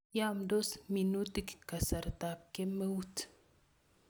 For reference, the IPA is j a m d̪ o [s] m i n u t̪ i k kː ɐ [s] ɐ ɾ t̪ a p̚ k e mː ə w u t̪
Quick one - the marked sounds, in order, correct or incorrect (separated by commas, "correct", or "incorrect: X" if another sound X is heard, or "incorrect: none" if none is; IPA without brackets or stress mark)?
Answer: correct, correct